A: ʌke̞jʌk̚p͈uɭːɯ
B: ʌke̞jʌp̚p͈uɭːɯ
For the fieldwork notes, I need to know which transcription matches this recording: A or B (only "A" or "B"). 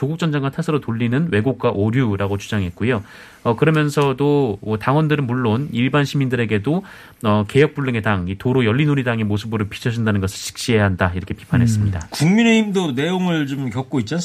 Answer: A